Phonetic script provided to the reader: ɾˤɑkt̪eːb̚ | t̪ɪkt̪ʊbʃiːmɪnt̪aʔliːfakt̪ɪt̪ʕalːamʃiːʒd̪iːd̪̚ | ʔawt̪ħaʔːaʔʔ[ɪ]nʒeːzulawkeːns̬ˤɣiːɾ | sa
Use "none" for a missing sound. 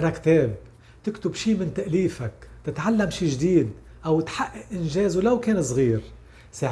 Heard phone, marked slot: ɪ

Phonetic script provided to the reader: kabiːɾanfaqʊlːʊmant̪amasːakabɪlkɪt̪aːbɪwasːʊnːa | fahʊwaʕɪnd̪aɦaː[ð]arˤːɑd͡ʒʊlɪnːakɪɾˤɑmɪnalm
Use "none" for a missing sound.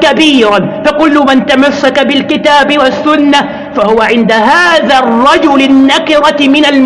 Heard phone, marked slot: ð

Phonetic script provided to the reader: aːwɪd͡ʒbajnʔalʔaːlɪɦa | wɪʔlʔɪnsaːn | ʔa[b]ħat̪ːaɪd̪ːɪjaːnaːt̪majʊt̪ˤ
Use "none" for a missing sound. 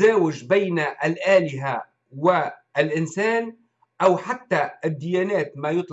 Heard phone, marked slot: w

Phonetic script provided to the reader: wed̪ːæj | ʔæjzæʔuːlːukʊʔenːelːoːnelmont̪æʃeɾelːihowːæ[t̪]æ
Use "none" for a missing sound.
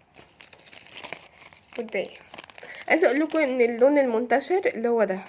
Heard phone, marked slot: d̪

